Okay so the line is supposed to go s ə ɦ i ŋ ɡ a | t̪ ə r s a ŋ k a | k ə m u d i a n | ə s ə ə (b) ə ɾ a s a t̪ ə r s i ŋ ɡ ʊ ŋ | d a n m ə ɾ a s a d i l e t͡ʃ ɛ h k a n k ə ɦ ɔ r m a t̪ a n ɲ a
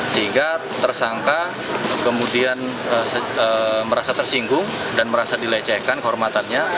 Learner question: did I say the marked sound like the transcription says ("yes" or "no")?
no